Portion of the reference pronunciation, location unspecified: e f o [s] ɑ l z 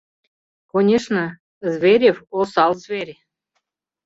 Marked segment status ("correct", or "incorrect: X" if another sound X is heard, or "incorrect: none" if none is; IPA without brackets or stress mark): correct